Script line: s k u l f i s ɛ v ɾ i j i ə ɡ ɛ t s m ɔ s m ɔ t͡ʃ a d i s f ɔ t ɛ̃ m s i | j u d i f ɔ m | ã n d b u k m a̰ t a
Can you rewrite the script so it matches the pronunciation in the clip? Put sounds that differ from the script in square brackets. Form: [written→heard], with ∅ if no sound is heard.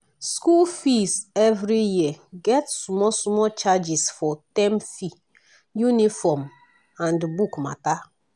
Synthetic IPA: s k u l f i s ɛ v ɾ i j i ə ɡ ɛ t s m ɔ s m ɔ t͡ʃ a [d→d͡ʒ] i s f ɔ t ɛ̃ m [s→f] i | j u [d→n] i f ɔ m | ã n d b u k m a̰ t a